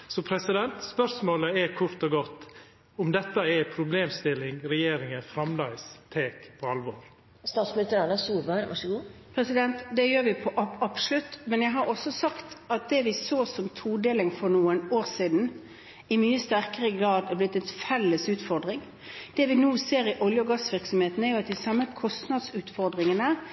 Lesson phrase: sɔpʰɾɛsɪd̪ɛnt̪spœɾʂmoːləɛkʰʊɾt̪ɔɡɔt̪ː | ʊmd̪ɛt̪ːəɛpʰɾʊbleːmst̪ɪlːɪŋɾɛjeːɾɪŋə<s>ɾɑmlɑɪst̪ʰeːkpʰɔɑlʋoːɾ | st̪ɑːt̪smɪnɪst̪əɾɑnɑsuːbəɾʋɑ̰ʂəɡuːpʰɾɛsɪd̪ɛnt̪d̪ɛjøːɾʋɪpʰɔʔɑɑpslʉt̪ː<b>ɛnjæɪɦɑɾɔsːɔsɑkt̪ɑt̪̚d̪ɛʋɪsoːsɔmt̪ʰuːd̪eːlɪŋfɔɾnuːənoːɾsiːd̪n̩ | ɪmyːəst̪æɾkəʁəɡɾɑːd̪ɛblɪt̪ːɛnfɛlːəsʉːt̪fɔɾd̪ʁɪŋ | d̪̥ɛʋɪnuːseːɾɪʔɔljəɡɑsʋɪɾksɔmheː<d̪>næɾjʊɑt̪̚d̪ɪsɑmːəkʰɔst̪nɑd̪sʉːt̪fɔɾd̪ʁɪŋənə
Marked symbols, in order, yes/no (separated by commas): no, no, no